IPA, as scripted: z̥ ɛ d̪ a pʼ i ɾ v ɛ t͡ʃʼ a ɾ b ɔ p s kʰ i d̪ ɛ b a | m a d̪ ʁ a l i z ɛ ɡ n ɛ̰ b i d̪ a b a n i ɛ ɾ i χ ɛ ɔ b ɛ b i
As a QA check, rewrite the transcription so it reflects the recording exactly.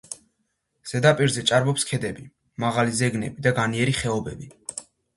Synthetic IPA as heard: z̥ ɛ d̪ a pʼ i ɾ z ɛ t͡ʃʼ a ɾ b ɔ p s kʰ ɛ d̪ ɛ b i | m a ʁ a l i z ɛ ɡ n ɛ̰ b i d̪ a ɡ a n i ɛ ɾ i χ ɛ ɔ b ɛ b i

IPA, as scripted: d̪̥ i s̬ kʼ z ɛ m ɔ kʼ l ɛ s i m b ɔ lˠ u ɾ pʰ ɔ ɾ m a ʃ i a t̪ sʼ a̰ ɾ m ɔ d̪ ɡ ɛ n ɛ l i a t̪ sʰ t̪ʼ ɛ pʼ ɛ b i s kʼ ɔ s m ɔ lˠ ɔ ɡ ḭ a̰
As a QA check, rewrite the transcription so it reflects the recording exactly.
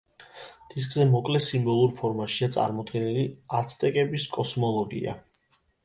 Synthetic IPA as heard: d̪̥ i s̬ kʼ z ɛ m ɔ kʼ l ɛ s i m b ɔ lˠ u ɾ pʰ ɔ ɾ m a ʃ i a t̪ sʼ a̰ ɾ m ɔ d̪ ɡ ɛ n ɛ l i a t̪ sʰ t̪ʼ ɛ kʼ ɛ b i s kʼ ɔ s m ɔ lˠ ɔ ɡ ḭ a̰

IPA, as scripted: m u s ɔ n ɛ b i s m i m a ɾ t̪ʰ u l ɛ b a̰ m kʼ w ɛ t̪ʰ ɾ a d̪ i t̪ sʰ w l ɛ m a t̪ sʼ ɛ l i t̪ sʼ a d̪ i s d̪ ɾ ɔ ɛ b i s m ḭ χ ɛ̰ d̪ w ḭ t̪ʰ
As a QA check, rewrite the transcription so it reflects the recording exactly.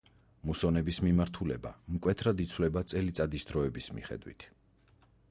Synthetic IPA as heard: m u s ɔ n ɛ b i s m i m a ɾ t̪ʰ u l ɛ b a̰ m kʼ w ɛ t̪ʰ ɾ a d̪ i t̪ sʰ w l ɛ b a t̪ sʼ ɛ l i t̪ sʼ a d̪ i s d̪ ɾ ɔ ɛ b i s m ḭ χ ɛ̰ d̪ w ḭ t̪ʰ

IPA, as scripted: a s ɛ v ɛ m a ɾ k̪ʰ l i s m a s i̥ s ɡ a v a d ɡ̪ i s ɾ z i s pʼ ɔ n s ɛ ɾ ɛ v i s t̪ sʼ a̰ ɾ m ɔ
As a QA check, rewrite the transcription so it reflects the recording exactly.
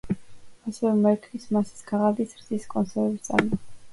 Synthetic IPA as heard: a s ɛ v ɛ m ɛ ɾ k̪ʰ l i s m a s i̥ s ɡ a ʁ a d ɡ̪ i s ɾ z i s kʼ ɔ n s ɛ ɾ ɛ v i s t̪ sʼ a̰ ɾ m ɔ

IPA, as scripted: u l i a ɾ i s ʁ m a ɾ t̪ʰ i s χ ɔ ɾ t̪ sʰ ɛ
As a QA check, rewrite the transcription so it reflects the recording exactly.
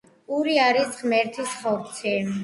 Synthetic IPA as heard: u ɾ i a ɾ i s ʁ m ɛ ɾ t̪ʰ i s χ ɔ ɾ t̪ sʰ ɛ

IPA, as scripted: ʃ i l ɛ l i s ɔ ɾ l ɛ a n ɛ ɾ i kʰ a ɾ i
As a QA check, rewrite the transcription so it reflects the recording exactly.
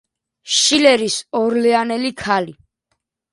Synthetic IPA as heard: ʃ i l ɛ ɾ i s ɔ ɾ l ɛ a n ɛ l i kʰ a l i

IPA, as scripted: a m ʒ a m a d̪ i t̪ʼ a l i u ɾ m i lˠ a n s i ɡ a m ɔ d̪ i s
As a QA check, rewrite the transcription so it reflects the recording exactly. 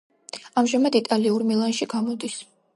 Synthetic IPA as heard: a m ʒ a m a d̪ i t̪ʼ a l i u ɾ m i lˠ a n ʃ i ɡ a m ɔ d̪ i s

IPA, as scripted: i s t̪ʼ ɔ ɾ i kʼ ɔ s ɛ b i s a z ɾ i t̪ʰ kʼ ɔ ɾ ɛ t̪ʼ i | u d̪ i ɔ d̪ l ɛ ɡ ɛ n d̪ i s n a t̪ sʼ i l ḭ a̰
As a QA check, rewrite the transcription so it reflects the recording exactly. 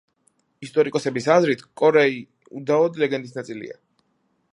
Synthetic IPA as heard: i s t̪ʼ ɔ ɾ i kʼ ɔ s ɛ b i s a z ɾ i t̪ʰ kʼ ɔ ɾ ɛ i | u d̪ a ɔ d̪ l ɛ ɡ ɛ n d̪ i s n a t̪ sʼ i l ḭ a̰

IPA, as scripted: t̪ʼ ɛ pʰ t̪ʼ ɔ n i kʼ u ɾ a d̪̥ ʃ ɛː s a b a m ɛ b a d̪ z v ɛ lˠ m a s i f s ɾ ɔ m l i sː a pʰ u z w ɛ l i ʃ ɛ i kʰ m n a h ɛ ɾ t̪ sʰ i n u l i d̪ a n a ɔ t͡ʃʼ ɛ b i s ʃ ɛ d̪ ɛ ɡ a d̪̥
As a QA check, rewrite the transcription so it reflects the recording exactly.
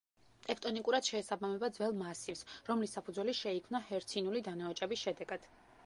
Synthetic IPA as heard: t̪ʼ ɛ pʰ t̪ʼ ɔ n i kʼ u ɾ a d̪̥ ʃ ɛː s a b a m ɛ b a d̪ z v ɛ lˠ m a s i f s ɾ ɔ m l i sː a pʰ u z w ɛ l i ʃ ɛ i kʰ m n a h ɛ ɾ t̪ sʰ i n u l i d̪ a n a ɔ t͡ʃʼ ɛ b i s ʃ ɛ d̪ ɛ ɡ a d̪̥

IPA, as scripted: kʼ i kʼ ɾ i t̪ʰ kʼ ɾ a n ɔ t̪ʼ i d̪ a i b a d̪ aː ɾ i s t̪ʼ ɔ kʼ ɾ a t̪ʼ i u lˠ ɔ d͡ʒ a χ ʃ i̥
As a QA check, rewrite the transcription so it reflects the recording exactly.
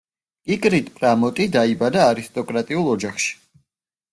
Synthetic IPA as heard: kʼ i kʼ ɾ i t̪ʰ pʼ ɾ a m ɔ t̪ʼ i d̪ a i b a d̪ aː ɾ i s t̪ʼ ɔ kʼ ɾ a t̪ʼ i u lˠ ɔ d͡ʒ a χ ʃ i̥

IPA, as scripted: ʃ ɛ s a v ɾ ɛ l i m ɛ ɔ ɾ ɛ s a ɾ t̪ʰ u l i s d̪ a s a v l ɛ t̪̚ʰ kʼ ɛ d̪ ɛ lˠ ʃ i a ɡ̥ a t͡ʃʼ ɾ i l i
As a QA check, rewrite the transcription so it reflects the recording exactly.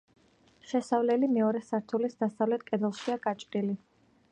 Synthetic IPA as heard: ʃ ɛ s a v l ɛ l i m ɛ ɔ ɾ ɛ s a ɾ t̪ʰ u l i s d̪ a s a v l ɛ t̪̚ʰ kʼ ɛ d̪ ɛ lˠ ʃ i a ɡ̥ a t͡ʃʼ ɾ i l i

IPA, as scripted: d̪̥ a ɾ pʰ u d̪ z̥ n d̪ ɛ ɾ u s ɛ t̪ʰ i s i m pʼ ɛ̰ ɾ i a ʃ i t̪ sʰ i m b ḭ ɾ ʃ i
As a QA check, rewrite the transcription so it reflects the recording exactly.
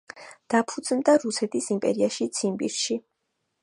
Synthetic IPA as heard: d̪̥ a pʰ u d̪ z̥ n d̪ a ɾ u s ɛ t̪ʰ i s i m pʼ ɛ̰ ɾ i a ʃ i t̪ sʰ i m b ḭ ɾ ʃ i

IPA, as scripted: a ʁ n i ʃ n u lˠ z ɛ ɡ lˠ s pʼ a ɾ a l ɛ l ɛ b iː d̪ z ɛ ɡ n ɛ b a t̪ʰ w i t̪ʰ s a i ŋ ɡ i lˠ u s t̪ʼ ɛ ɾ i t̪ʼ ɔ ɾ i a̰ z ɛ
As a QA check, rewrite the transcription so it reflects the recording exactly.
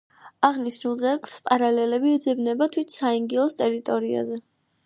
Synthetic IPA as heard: a ʁ n i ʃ n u lˠ z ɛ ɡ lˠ s pʼ a ɾ a l ɛ l ɛ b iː d̪ z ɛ b n ɛ b a t̪ʰ w i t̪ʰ s a i ŋ ɡ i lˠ ɔ s t̪ʼ ɛ ɾ i t̪ʼ ɔ ɾ i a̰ z ɛ

